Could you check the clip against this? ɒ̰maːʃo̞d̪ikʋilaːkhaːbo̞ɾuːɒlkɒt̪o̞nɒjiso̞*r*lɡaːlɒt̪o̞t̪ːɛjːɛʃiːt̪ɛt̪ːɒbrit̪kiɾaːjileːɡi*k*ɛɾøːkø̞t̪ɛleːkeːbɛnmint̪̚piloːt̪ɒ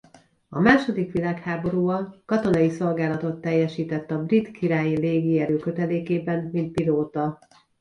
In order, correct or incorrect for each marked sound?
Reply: incorrect, incorrect

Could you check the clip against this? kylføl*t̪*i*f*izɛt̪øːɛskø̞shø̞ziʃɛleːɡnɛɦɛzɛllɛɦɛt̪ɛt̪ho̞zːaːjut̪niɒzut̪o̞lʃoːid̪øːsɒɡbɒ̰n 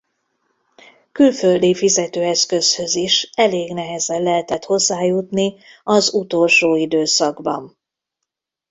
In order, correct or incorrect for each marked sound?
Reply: incorrect, correct

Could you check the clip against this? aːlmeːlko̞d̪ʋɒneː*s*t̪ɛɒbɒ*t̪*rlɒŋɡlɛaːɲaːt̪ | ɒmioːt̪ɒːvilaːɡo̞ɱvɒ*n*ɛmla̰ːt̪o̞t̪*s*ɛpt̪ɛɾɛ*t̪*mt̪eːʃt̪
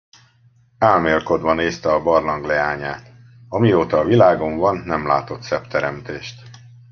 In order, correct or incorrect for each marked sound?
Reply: correct, incorrect, incorrect, correct, incorrect

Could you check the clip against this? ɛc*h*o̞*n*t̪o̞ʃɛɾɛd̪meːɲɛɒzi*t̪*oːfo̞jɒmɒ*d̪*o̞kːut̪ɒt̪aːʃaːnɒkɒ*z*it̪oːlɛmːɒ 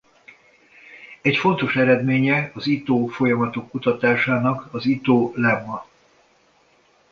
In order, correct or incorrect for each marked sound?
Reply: incorrect, correct, correct, incorrect, correct

